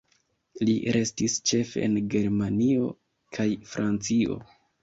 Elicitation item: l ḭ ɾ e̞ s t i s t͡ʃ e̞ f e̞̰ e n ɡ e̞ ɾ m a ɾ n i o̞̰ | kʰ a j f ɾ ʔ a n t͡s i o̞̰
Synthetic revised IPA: l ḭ ɾ e̞ s t i s t͡ʃ e̞ f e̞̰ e n ɡ e̞ ɾ m a n i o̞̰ | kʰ a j f ɾ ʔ a n t͡s i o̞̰